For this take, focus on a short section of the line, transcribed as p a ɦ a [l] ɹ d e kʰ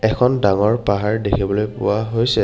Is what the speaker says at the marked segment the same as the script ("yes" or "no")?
no